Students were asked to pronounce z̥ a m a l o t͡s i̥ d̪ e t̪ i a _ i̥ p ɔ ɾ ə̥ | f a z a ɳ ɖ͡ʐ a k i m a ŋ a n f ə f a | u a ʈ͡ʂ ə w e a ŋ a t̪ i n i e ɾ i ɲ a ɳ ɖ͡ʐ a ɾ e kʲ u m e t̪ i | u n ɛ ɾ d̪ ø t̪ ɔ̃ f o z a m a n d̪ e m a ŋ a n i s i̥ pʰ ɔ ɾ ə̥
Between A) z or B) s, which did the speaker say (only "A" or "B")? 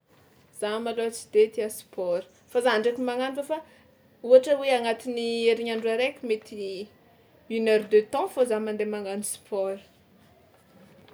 B